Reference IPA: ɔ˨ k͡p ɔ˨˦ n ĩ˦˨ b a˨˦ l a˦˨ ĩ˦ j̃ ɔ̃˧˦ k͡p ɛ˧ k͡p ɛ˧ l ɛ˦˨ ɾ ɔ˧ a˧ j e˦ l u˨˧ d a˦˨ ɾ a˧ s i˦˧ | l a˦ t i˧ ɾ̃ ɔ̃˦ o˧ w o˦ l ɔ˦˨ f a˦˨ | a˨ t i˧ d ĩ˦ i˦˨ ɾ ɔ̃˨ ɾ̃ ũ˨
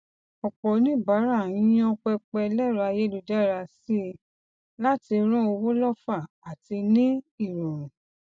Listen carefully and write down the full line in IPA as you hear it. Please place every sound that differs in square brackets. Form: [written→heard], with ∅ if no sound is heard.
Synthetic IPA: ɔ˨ k͡p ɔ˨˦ n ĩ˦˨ b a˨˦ [l→ɾ] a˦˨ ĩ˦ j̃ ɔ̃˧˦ k͡p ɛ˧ k͡p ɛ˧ l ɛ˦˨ ɾ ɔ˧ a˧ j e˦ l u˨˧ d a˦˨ ɾ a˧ s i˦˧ | l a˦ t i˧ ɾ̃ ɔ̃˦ o˧ w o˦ l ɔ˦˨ f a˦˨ | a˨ t i˧ [d→n] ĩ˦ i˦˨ ɾ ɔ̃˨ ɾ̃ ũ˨